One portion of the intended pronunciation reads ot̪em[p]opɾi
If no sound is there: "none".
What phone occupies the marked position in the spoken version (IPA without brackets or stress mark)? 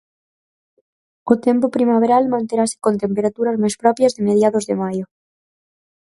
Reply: p